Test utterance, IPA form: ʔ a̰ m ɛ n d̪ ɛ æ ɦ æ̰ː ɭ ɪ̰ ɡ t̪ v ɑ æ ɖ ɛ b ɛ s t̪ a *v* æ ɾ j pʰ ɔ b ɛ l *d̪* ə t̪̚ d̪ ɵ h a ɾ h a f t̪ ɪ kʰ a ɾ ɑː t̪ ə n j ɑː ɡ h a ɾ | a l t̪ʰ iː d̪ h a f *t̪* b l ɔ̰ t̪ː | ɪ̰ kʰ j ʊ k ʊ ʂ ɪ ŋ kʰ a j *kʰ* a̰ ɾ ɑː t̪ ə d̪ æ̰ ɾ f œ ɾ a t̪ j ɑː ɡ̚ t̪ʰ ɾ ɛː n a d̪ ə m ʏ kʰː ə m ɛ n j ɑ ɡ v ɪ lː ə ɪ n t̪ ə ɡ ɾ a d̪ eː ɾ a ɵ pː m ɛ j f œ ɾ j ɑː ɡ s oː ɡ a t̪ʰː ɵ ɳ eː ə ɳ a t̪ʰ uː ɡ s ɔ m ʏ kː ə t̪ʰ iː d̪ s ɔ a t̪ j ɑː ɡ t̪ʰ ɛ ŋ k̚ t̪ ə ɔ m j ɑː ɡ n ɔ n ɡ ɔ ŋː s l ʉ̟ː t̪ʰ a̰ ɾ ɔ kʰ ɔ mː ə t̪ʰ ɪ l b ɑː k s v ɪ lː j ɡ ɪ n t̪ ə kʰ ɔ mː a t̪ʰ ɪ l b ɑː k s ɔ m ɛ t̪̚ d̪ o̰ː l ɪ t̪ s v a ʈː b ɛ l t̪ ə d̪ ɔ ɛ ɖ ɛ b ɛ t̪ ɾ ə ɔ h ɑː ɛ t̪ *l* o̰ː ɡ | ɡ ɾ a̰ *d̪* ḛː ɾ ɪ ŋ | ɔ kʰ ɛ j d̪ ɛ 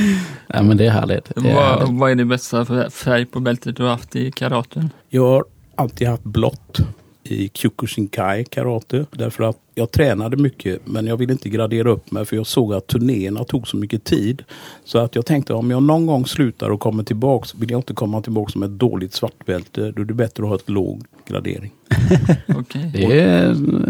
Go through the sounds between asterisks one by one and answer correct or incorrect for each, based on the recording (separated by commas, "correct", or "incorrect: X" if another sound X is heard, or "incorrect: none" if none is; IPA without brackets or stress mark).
incorrect: f, incorrect: t̪, correct, correct, correct, correct